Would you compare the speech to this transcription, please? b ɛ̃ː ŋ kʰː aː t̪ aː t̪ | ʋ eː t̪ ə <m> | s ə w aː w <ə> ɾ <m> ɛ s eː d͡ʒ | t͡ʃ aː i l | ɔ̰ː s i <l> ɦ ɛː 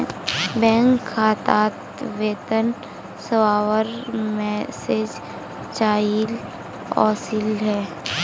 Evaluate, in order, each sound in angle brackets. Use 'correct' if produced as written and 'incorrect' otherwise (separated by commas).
incorrect, correct, correct, correct